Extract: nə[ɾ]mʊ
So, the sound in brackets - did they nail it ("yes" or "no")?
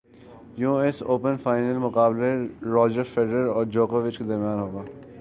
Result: no